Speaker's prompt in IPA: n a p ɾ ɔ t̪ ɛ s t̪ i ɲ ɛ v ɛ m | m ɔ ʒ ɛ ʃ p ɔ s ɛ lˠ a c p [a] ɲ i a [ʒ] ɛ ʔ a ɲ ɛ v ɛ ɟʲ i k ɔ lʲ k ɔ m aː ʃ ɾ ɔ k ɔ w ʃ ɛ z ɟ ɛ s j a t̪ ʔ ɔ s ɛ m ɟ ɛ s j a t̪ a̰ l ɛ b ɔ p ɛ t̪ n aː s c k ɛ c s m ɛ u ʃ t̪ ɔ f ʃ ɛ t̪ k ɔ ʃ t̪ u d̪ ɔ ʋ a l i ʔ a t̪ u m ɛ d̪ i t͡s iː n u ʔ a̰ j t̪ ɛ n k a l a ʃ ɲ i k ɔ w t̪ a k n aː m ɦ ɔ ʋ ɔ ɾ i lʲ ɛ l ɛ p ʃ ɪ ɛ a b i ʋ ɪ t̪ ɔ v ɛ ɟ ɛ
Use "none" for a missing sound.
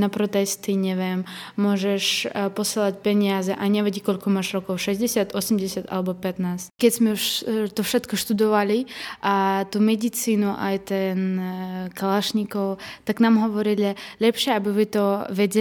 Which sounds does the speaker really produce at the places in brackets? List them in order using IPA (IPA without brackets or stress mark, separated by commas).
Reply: ɛ, z